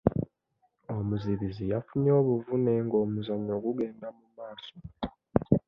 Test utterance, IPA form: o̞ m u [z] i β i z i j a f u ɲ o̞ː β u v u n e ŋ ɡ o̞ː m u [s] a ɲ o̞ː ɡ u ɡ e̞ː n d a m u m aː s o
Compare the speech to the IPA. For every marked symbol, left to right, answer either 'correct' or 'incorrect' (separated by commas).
correct, incorrect